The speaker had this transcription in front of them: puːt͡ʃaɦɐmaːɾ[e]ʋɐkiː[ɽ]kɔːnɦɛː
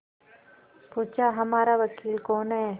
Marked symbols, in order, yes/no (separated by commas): no, no